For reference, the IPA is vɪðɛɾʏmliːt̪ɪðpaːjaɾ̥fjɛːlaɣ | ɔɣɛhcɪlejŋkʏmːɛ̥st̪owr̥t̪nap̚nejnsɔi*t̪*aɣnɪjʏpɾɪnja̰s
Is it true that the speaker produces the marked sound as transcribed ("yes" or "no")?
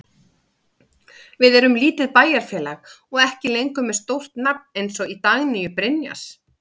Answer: yes